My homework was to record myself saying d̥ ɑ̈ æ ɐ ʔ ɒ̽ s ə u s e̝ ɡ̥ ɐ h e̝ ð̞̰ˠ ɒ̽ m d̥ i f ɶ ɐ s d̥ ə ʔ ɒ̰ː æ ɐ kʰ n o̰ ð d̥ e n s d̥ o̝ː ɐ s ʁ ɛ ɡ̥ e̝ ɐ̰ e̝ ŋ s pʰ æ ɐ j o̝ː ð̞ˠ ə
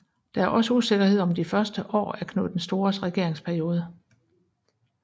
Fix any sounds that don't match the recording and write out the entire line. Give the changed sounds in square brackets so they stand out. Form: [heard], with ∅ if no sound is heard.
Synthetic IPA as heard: d̥ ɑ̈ æ ɐ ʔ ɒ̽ s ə u s e̝ ɡ̥ ɐ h e̝ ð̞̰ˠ ɒ̽ m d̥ i f ɶ ɐ s d̥ ə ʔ ɒ̰ː æ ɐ kʰ n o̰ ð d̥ e n s d̥ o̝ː ɐ s ʁ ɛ ɡ̥ e̝ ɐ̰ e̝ ŋ s pʰ æ ɐ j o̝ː ð̞ˠ ə